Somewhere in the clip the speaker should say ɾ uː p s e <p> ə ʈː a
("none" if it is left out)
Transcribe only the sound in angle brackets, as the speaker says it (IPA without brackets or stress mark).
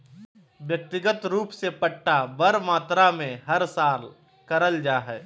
p